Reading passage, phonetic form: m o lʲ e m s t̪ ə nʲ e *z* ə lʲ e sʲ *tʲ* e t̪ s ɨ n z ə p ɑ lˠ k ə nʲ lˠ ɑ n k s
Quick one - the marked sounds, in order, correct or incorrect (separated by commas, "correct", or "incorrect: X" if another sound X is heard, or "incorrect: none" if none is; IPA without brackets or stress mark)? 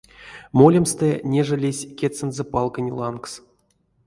incorrect: ʐ, incorrect: kʲ